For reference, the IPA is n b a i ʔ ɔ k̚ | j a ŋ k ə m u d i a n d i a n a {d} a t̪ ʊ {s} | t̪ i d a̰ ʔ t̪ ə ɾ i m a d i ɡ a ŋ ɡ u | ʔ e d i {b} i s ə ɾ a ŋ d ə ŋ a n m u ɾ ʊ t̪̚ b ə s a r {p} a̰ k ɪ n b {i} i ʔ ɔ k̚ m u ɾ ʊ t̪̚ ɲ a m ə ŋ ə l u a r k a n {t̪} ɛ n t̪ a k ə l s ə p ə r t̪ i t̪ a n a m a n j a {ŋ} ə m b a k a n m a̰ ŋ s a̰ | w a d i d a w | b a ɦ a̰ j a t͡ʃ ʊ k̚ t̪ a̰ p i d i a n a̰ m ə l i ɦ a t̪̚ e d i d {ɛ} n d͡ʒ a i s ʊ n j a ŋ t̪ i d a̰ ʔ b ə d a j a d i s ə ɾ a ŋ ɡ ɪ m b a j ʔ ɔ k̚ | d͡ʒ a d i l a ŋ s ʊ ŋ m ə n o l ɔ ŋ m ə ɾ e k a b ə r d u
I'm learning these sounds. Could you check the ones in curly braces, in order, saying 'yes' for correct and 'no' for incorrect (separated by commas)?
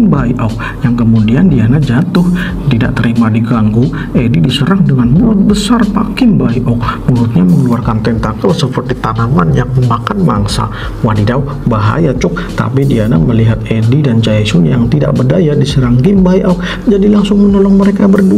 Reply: no, no, no, yes, no, yes, yes, no